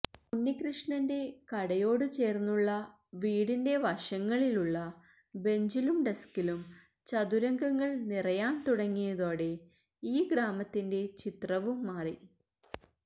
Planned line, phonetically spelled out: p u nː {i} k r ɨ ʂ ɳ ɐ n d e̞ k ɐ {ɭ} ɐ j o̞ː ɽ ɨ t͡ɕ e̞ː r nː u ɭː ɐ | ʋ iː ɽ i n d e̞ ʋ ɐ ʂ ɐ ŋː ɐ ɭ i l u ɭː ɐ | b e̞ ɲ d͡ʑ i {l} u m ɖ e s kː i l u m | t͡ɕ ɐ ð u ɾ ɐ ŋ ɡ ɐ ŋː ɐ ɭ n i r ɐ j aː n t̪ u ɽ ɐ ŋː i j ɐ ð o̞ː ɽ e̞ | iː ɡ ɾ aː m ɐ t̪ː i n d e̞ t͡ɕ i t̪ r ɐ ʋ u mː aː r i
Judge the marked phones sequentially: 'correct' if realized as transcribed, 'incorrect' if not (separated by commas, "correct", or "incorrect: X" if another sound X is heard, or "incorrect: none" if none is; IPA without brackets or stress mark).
correct, incorrect: ɽ, correct